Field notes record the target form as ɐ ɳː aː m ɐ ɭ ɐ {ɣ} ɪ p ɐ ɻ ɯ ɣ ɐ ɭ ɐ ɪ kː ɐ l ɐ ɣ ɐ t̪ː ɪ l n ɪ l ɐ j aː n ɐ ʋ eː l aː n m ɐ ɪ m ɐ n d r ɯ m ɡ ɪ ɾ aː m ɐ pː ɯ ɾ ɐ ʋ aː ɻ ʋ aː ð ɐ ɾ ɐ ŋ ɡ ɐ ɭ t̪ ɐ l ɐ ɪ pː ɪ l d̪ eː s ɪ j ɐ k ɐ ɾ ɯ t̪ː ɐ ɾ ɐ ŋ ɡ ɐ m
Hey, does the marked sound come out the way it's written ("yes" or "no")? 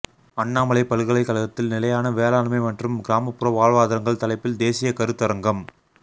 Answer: no